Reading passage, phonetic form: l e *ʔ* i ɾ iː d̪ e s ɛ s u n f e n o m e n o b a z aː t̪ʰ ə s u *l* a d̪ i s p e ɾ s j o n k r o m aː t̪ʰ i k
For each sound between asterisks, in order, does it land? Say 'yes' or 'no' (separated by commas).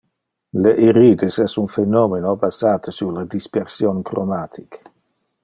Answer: yes, yes